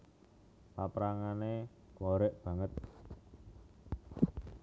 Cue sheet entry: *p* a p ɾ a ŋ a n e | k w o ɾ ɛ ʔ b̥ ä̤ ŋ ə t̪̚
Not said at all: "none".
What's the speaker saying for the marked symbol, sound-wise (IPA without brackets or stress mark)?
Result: p